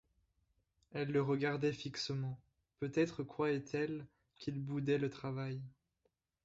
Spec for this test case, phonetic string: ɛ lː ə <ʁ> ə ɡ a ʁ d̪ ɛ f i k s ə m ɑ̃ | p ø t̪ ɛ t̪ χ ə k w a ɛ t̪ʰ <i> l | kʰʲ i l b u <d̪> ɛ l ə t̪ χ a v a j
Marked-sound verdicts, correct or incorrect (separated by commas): correct, incorrect, correct